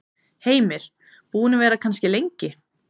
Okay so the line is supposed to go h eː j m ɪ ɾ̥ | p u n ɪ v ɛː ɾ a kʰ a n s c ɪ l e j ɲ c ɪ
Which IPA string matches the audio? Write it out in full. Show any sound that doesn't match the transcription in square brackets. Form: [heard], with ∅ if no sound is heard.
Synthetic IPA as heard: h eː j m ɪ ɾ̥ | p [uː] n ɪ v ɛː ɾ a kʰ a n s c ɪ l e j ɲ c ɪ